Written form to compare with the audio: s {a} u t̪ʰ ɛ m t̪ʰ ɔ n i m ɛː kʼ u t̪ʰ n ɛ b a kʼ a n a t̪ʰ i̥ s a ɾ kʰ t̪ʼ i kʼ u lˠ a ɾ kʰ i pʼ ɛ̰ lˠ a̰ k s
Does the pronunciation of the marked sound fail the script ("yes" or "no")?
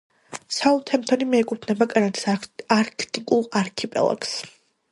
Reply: no